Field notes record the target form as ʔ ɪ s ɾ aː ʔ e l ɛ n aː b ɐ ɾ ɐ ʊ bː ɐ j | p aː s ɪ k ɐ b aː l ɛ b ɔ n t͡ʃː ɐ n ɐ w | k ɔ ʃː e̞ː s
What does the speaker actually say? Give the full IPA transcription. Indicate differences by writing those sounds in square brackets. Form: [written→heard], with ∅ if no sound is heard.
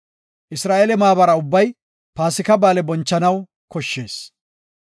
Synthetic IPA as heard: ʔ ɪ s ɾ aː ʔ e l ɛ [n→m] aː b ɐ ɾ ɐ ʊ bː ɐ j | p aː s ɪ k ɐ b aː l ɛ b ɔ n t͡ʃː ɐ n ɐ w | k ɔ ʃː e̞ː s